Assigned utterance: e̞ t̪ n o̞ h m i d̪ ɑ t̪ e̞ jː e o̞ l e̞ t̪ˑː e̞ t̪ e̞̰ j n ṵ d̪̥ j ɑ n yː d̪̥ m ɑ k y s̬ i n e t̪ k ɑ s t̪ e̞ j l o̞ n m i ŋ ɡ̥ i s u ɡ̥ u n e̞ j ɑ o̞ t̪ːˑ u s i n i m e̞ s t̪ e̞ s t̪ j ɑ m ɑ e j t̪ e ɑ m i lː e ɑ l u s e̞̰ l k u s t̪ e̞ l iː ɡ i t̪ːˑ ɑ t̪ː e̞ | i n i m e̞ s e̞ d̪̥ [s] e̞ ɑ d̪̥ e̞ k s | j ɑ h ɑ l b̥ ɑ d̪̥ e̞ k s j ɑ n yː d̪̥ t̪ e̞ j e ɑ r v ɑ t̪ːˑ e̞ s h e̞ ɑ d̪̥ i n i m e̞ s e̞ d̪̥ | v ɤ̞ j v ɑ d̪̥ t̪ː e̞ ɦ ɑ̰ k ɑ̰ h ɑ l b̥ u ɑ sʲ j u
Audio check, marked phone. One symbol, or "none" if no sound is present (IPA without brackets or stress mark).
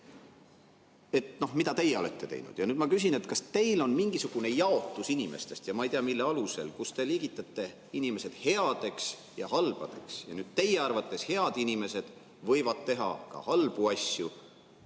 h